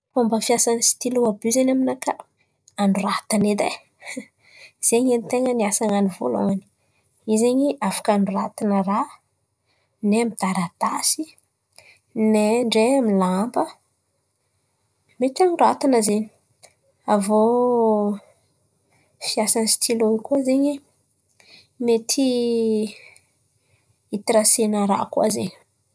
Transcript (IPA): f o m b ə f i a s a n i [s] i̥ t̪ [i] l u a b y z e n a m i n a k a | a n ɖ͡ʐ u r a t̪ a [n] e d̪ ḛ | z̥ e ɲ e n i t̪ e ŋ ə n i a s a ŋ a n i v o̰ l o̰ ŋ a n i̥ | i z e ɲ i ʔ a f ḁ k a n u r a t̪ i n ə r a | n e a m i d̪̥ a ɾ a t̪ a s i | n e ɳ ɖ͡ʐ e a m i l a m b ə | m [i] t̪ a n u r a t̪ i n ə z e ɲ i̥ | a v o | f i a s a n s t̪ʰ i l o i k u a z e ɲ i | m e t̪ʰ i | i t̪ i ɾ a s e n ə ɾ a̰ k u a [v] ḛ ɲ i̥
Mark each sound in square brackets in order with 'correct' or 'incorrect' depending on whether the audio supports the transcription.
correct, correct, correct, incorrect, incorrect

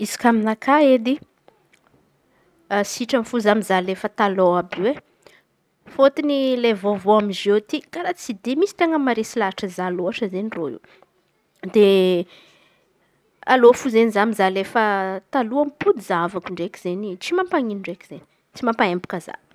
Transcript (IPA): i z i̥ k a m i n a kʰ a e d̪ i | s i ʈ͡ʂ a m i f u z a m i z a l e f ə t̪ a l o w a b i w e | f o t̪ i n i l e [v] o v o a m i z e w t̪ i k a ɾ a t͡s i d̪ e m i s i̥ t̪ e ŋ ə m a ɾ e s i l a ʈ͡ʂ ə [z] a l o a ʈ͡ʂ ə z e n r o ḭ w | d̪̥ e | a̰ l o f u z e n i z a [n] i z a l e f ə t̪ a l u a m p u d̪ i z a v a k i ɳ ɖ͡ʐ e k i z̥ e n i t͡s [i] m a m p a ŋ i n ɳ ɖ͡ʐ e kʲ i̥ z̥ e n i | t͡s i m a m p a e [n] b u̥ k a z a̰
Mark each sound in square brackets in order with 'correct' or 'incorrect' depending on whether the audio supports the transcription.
correct, correct, incorrect, correct, incorrect

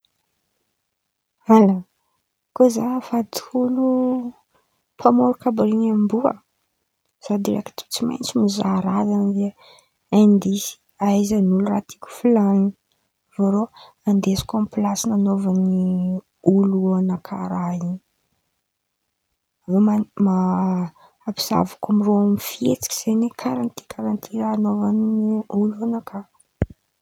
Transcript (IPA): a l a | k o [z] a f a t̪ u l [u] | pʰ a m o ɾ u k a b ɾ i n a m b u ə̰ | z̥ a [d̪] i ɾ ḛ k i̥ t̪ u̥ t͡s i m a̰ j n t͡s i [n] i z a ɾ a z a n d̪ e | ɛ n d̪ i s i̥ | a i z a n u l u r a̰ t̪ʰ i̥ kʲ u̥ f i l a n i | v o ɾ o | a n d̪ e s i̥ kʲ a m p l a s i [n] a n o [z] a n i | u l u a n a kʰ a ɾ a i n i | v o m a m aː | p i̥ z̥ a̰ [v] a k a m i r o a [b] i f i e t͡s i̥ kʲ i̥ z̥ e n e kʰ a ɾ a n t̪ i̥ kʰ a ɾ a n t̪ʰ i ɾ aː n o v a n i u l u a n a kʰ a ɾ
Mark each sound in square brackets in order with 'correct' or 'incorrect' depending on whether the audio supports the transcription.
correct, correct, correct, incorrect, correct, incorrect, correct, incorrect

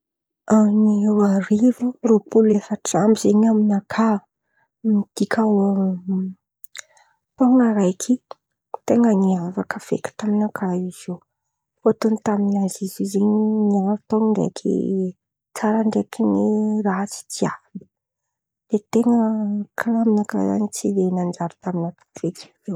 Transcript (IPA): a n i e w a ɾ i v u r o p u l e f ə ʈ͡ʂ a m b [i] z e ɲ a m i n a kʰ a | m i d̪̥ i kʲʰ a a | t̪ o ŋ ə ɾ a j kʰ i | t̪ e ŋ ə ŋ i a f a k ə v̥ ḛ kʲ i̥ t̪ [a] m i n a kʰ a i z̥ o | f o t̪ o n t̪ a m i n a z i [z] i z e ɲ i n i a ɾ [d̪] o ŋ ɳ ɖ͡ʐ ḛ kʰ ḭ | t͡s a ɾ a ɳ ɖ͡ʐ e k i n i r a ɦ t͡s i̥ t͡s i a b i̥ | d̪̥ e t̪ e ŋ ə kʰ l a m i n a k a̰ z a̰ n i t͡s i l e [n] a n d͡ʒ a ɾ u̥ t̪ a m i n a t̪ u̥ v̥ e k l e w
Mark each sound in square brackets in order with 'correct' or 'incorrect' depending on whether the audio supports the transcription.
correct, correct, correct, incorrect, correct

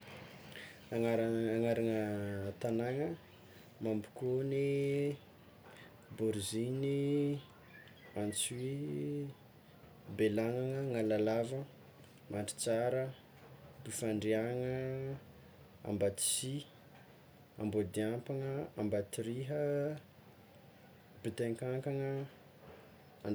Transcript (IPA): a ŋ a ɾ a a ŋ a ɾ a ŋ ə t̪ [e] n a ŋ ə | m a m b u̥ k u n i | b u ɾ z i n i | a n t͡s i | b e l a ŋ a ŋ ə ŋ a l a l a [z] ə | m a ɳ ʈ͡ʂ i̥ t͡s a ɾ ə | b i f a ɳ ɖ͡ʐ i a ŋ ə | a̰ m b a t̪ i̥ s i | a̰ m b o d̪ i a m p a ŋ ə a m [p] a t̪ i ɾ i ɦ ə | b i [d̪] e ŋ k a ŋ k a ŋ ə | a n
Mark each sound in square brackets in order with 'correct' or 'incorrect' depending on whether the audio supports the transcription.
incorrect, incorrect, incorrect, incorrect

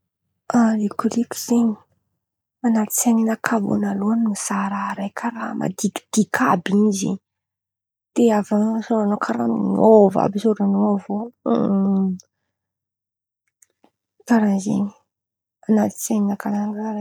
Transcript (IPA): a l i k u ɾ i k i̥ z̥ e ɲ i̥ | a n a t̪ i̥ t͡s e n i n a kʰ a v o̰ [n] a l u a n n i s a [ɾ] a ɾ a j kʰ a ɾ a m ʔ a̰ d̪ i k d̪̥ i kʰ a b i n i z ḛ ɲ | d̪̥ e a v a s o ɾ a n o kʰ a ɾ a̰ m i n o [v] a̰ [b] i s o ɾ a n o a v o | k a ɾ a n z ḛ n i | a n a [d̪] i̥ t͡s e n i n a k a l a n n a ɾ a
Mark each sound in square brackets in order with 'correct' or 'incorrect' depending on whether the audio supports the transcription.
correct, correct, correct, correct, incorrect

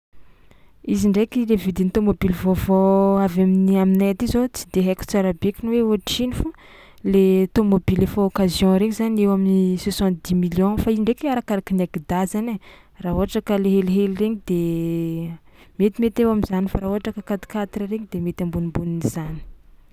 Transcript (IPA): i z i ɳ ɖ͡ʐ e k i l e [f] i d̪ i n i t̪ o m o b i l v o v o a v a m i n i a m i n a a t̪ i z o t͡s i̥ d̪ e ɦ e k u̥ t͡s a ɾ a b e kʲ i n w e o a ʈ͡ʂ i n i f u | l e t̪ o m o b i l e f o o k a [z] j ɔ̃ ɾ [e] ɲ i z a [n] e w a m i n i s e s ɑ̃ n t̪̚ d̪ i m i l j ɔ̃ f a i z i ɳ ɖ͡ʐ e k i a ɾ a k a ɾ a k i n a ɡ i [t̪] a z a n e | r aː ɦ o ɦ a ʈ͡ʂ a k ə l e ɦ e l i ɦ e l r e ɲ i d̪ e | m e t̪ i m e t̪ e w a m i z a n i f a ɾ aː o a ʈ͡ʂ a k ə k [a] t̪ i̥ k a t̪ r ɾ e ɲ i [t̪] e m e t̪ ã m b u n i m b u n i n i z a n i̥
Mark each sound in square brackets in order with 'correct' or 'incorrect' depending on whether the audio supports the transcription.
incorrect, correct, correct, correct, incorrect, correct, incorrect

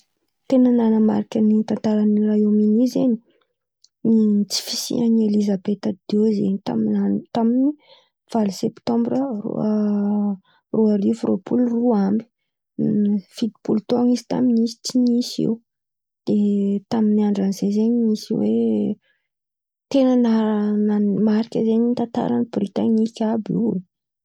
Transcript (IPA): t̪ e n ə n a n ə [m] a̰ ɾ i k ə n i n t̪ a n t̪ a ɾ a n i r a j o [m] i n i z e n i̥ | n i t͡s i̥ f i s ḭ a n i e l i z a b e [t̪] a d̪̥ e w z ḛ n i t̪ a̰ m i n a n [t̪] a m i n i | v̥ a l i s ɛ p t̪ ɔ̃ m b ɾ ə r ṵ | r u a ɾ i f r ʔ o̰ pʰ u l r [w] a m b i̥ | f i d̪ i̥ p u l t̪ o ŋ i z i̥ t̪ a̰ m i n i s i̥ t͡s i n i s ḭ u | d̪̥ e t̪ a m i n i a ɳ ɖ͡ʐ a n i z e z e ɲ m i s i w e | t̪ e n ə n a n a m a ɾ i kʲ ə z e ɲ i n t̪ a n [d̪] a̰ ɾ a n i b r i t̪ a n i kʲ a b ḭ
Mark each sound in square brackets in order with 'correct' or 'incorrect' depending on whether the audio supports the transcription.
correct, correct, correct, correct, incorrect, incorrect

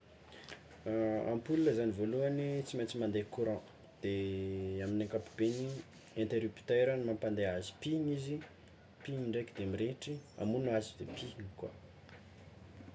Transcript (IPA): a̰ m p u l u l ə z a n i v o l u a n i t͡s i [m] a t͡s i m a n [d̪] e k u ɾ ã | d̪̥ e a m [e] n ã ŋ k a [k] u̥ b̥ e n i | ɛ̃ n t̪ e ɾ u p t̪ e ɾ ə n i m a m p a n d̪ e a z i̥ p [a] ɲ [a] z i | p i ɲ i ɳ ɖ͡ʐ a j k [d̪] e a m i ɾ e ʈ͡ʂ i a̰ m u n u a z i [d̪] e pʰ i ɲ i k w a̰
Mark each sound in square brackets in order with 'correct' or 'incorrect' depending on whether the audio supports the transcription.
correct, correct, incorrect, incorrect, incorrect, incorrect, correct, correct

